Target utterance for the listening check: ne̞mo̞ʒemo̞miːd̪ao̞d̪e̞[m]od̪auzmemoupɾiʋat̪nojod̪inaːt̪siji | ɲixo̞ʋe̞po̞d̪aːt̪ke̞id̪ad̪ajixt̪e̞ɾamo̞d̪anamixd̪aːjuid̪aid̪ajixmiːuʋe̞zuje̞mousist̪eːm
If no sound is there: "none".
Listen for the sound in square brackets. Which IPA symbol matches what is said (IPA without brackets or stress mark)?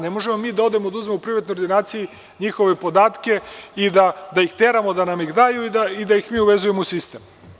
m